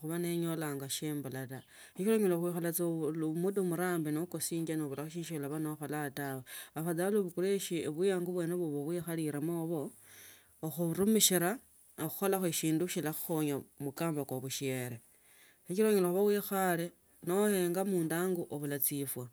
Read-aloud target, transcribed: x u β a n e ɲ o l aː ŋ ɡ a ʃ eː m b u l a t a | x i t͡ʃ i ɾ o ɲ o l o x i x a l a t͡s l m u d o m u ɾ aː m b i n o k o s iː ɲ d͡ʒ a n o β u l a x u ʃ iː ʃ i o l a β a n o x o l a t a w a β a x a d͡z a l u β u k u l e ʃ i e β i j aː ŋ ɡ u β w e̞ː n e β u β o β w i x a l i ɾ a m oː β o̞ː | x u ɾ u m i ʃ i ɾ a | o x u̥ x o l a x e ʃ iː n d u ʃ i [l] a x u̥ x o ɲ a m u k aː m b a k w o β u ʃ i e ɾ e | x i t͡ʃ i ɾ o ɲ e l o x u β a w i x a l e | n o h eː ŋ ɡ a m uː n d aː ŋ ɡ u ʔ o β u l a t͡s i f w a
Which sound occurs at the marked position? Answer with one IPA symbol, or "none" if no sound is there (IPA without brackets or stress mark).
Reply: l